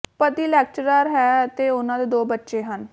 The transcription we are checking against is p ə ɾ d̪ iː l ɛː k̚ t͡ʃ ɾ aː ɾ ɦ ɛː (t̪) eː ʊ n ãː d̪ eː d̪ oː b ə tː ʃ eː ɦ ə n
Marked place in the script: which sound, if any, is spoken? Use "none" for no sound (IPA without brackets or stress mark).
t̪